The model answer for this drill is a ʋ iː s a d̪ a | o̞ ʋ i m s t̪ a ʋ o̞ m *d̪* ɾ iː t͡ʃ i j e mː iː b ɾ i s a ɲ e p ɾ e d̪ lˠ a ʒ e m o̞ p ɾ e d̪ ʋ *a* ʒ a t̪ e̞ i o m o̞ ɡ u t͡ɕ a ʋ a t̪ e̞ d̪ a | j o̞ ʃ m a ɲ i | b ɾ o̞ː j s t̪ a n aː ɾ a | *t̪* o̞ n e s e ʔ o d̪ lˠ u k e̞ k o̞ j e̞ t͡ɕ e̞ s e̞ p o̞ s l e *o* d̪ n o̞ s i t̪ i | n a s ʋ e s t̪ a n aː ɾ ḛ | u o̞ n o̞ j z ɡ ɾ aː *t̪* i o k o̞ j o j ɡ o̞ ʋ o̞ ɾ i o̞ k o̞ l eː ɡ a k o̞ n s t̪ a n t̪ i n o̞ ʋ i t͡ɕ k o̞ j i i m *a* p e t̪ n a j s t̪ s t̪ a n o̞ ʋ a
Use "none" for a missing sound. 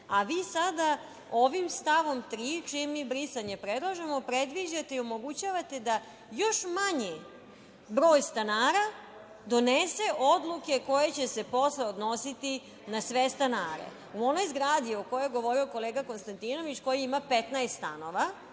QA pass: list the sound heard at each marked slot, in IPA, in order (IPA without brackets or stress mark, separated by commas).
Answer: t̪, i, d̪, o, d̪, a